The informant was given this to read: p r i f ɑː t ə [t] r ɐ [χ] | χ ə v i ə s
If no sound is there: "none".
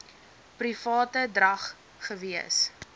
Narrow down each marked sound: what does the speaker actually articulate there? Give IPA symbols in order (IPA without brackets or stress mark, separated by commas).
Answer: d, χ